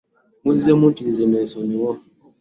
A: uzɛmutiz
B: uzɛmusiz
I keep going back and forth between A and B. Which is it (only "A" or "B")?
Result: A